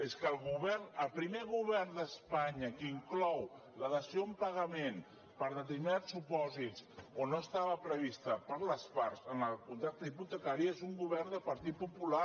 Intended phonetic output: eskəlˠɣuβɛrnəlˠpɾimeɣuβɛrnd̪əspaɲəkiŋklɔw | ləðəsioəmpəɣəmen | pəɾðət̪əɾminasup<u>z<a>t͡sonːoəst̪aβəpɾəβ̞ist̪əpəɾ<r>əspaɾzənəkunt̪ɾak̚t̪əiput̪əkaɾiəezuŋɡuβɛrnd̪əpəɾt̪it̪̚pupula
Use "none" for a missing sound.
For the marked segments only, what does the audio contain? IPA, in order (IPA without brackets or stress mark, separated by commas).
ɔ, i, l